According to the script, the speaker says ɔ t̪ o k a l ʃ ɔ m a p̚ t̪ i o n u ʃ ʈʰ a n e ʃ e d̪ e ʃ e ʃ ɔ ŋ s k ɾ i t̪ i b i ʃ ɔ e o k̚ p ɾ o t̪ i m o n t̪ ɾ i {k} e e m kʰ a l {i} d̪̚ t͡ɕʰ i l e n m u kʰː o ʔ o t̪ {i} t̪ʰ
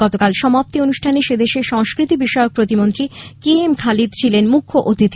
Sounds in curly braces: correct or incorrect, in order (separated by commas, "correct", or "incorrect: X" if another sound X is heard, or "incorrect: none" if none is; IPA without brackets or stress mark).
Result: correct, correct, correct